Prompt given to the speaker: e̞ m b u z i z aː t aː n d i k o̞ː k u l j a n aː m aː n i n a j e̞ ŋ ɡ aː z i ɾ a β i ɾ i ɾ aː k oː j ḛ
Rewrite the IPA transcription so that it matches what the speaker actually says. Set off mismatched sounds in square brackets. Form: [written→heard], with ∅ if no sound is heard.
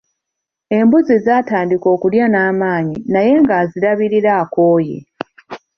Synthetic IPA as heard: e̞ m b u z i z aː t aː n d i k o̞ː k u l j a n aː m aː [n→ɲ] i n a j e̞ ŋ ɡ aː z i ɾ a β i ɾ i ɾ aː k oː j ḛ